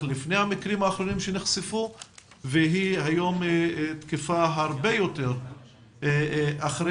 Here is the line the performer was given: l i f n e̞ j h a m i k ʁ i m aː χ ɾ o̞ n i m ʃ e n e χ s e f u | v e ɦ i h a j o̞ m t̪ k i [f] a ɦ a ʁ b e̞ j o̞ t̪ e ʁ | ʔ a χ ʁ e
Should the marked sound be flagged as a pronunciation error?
no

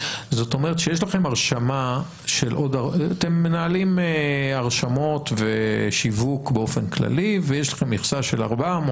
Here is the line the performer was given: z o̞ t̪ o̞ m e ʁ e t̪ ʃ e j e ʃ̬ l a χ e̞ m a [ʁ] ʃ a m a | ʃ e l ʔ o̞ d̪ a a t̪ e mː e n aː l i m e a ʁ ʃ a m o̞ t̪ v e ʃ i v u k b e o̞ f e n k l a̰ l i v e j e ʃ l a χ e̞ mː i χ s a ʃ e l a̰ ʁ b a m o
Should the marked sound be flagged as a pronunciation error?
no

